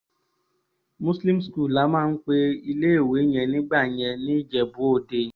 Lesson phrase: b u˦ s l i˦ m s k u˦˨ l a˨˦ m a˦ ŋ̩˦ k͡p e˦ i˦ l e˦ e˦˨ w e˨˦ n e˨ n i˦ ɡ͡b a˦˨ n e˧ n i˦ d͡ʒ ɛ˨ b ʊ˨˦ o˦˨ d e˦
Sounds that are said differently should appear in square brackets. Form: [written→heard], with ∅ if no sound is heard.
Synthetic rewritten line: [b→m] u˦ s l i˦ m s k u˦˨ l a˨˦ m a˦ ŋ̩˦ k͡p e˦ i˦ l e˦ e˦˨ w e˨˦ [n→ɲ] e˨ n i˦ ɡ͡b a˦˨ [n→ɲ] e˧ n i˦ d͡ʒ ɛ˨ b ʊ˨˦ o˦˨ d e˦